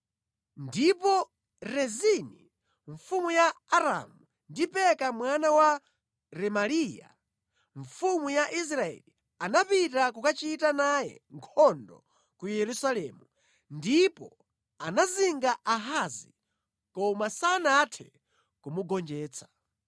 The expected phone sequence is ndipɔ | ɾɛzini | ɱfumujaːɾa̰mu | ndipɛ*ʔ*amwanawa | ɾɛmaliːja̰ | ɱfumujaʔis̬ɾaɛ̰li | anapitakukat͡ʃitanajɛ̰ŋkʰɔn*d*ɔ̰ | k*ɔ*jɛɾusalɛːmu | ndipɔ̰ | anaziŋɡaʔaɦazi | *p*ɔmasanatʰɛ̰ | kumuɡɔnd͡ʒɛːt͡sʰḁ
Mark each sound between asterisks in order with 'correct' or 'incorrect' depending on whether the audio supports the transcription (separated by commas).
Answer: incorrect, correct, incorrect, incorrect